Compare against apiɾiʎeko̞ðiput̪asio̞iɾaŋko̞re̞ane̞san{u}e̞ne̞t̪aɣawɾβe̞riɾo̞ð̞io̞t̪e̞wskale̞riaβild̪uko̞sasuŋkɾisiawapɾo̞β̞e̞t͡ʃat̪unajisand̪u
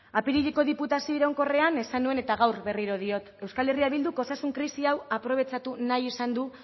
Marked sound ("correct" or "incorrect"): correct